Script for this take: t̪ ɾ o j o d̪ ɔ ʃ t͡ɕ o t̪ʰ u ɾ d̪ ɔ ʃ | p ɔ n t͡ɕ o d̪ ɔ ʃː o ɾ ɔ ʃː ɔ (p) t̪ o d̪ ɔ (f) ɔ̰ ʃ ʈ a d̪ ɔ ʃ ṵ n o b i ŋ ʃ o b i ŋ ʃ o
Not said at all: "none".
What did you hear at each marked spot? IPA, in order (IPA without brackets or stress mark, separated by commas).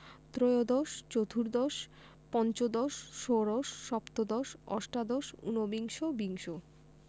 p, ʃ